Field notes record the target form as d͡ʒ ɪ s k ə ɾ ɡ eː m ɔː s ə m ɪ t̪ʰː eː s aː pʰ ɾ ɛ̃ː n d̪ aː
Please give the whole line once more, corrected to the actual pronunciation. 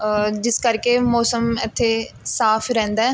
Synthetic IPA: d͡ʒ ɪ s k ə ɾ k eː m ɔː s ə m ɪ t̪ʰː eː s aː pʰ ɾ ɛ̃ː n d̪ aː

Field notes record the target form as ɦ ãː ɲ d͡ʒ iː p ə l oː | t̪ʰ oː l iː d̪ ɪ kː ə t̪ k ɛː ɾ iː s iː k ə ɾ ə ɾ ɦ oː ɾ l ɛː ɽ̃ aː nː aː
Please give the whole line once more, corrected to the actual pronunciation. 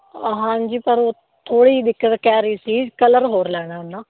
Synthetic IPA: ɦ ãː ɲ d͡ʒ iː p ə ɾ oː | t̪ʰ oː ɽ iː d̪ ɪ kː ə t̪ k ɛː ɾ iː s iː k ə l ə ɾ ɦ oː ɾ l ɛː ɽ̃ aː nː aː

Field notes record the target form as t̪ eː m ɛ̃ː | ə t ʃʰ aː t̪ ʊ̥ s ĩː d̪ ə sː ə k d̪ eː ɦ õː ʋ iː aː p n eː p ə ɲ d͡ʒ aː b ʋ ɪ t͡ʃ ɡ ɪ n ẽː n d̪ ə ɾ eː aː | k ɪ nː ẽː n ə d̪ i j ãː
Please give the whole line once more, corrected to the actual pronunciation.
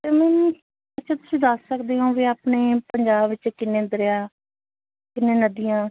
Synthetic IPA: t̪ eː m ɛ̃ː | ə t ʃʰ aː t̪ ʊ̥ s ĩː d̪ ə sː ə k d̪ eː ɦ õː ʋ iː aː p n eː p ə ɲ d͡ʒ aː b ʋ ɪ t͡ʃ k ɪ n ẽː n d̪ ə ɾ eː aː | k ɪ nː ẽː n ə d̪ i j ãː

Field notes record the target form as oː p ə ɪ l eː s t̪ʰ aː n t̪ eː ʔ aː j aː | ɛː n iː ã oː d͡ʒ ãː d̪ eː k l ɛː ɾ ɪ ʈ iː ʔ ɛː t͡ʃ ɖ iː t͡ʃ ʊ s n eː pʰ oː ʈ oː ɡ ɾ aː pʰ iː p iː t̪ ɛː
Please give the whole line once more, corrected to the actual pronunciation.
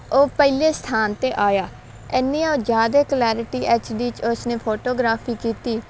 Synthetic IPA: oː p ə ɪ l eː s t̪ʰ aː n t̪ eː ʔ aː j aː | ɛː n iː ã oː d͡ʒ aː d̪ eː k l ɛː ɾ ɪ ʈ iː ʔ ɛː t͡ʃ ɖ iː t͡ʃ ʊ s n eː pʰ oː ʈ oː ɡ ɾ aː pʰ iː k iː t̪ iː

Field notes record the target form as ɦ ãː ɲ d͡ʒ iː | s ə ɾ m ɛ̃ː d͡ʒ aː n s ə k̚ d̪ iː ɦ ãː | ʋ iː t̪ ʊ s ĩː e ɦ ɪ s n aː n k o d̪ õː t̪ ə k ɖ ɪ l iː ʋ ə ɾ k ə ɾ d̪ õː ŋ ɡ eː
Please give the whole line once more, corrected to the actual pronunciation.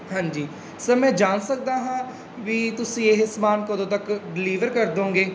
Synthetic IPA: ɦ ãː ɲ d͡ʒ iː | s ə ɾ m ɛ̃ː d͡ʒ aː n s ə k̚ d̪ aː ɦ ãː | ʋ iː t̪ ʊ s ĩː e ɦ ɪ s m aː n k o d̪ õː t̪ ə k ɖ ɪ l iː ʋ ə ɾ k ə ɾ d̪ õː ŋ ɡ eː

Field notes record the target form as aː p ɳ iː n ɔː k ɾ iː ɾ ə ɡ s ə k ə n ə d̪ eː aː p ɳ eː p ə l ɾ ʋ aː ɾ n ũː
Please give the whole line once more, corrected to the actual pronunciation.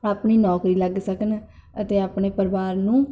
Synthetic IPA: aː p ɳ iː n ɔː k ɾ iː l ə ɡ s ə k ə n ə t̪ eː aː p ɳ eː p ə ɾ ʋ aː ɾ n ũː

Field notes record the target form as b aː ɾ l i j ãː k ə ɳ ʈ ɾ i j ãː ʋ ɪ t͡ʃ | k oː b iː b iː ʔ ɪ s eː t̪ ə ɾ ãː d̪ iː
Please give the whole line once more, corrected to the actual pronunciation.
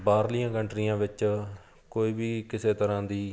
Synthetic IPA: b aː ɾ l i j ãː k ə ɳ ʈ ɾ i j ãː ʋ ɪ t͡ʃ | k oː iː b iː k ɪ s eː t̪ ə ɾ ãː d̪ iː

